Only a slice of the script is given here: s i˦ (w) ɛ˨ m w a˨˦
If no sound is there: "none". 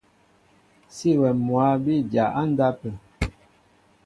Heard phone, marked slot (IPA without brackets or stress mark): w